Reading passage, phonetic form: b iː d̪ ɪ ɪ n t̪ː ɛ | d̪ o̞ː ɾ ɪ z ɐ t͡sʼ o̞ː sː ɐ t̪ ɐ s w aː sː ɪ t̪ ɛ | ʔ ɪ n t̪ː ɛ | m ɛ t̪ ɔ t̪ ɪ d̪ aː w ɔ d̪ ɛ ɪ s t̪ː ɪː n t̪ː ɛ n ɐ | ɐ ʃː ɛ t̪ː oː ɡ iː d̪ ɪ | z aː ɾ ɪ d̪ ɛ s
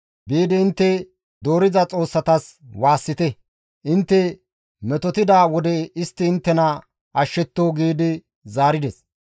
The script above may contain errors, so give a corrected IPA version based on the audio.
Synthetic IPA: b iː d̪ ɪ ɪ n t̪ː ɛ | d̪ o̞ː ɾ ɪ z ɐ t͡sʼ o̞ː sː ɐ t̪ ɐ s w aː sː ɪ t̪ ɛ | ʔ ɪ n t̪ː ɛ | m ɛ t̪ ɔ t̪ ɪ d̪ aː w ɔ d̪ ɛ ɪ s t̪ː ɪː n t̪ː ɛ n ɐ | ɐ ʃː ɛ t̪ː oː ɡ iː d̪ ɪ | z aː ɾ ɪ d̪ ɛ s